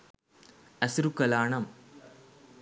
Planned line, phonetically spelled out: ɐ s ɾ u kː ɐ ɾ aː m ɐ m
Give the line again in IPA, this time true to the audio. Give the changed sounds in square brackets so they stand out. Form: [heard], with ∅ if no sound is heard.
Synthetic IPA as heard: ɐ s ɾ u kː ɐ [l] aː [ɳ] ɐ m